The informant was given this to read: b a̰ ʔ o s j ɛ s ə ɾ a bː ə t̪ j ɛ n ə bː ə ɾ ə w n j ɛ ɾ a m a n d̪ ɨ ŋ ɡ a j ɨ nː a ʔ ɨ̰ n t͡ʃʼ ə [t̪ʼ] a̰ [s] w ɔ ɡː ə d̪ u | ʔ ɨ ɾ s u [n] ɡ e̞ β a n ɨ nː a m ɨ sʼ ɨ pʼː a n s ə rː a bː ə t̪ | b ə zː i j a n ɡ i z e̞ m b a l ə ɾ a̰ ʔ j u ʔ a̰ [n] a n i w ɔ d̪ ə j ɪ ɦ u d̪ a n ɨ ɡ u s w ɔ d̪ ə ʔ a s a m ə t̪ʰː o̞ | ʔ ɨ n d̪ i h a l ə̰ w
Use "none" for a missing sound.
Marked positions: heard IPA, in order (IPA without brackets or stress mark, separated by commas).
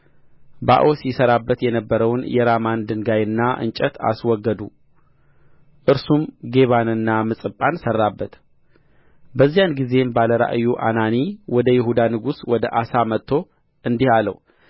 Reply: t̪, s, m, n